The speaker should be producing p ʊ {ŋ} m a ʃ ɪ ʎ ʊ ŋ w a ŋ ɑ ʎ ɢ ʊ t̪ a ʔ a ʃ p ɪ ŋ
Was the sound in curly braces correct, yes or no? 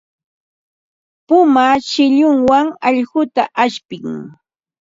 no